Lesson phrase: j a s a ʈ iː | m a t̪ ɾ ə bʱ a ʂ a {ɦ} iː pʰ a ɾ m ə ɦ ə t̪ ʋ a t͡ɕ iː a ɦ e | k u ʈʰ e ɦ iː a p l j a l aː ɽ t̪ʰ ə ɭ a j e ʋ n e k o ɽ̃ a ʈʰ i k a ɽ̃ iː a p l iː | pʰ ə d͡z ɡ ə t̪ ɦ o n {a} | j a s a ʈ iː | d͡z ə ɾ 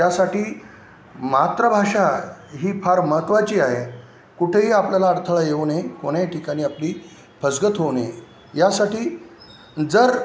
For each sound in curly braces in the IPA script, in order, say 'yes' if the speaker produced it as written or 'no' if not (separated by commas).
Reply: yes, no